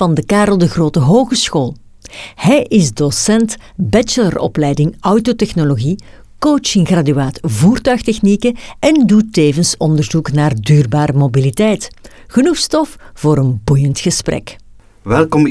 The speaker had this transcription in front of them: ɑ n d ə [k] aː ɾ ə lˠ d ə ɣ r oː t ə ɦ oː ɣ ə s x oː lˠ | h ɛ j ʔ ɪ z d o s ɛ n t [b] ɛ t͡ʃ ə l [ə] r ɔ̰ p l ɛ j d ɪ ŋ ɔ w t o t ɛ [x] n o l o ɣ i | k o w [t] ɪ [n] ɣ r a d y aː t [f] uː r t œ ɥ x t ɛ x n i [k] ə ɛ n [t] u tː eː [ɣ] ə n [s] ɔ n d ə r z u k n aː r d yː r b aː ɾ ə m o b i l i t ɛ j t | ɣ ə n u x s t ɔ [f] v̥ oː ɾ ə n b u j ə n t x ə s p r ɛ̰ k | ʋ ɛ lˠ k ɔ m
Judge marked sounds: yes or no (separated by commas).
yes, yes, yes, yes, no, no, no, yes, no, no, yes, yes